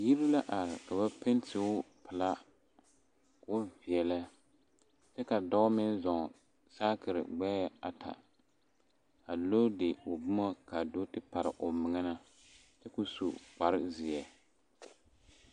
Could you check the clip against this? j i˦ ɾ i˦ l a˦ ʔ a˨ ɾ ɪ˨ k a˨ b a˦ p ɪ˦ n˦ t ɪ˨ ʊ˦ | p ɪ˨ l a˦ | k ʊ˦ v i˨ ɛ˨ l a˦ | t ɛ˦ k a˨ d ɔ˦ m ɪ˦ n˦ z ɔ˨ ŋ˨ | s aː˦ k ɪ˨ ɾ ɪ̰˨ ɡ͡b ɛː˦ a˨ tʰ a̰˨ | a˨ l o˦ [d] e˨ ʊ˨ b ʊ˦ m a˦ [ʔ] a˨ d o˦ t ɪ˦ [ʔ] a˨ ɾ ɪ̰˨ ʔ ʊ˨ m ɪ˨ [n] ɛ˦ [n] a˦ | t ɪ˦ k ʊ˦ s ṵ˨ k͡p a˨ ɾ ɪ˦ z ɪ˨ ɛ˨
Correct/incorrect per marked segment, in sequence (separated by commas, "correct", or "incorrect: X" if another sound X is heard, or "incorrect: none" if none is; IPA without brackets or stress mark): correct, incorrect: k, incorrect: p, incorrect: ŋ, correct